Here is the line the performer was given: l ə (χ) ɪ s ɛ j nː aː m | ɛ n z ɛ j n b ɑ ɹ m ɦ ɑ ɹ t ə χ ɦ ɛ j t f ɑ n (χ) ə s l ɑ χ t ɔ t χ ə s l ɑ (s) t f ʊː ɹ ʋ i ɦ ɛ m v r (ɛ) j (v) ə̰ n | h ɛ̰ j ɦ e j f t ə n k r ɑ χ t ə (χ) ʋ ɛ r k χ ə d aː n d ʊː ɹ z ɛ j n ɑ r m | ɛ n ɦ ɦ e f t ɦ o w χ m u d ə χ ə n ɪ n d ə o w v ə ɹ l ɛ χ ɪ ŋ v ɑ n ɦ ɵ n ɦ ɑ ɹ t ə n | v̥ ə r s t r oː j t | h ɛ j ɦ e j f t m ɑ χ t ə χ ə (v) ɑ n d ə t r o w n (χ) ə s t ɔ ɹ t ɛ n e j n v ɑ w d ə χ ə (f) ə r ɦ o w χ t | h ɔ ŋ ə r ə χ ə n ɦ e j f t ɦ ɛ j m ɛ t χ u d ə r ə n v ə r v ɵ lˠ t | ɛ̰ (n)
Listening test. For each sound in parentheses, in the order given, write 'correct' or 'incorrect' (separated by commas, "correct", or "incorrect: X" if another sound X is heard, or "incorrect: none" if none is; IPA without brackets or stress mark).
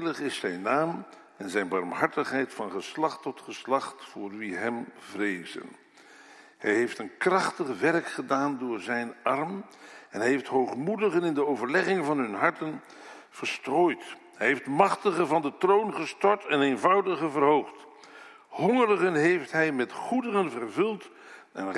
correct, correct, incorrect: χ, incorrect: e, incorrect: z, correct, correct, correct, incorrect: v, correct